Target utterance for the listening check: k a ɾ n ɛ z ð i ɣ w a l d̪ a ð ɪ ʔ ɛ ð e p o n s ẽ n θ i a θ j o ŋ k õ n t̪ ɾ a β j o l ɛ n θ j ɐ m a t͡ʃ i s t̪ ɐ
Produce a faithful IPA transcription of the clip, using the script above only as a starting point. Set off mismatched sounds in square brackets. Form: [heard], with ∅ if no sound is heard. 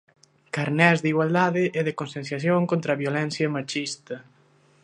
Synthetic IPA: k a ɾ n ɛ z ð i ɣ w a l d̪ a ð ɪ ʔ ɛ ð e [k] o n s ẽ n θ [j] a θ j o ŋ k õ n t̪ ɾ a β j o l ɛ n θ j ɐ m a t͡ʃ i s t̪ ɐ